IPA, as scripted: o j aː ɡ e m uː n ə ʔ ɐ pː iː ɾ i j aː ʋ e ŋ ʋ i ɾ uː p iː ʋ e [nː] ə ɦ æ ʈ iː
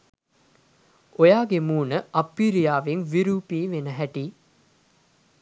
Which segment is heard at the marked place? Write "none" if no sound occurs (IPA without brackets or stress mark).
n